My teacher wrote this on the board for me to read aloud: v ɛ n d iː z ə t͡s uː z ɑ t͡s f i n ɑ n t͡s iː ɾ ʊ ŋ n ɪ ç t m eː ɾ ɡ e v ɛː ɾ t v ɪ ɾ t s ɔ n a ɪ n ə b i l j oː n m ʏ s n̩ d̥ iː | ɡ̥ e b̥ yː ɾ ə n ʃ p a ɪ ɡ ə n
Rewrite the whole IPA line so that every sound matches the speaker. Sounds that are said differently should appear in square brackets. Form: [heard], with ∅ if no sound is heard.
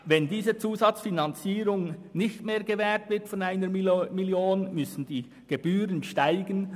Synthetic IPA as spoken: v ɛ n d iː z ə t͡s uː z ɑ t͡s f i n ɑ n t͡s iː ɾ ʊ ŋ n ɪ ç t m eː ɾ ɡ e v ɛː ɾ t v ɪ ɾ t [f] ɔ n a ɪ n ə [m] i l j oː n m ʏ s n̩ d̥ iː | ɡ̥ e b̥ yː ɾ ə n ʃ [t] a ɪ ɡ ə n